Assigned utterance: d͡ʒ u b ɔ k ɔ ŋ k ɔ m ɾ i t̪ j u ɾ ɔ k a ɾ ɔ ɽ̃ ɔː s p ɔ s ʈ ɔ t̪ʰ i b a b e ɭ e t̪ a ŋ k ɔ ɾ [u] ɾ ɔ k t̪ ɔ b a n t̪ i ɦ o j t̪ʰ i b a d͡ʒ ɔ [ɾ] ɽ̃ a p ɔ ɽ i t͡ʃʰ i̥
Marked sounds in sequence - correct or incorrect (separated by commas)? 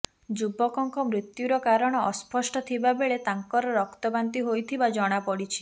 incorrect, incorrect